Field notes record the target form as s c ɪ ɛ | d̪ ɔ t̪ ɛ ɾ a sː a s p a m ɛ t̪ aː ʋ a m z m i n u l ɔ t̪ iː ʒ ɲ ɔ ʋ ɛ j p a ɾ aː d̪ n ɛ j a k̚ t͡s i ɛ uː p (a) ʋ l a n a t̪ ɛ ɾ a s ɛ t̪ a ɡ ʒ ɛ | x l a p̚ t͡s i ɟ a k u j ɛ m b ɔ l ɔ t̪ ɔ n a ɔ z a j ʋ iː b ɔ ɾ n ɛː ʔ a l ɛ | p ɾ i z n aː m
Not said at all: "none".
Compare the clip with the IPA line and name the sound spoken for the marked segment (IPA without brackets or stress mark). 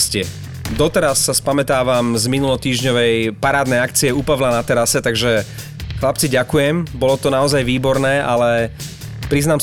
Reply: a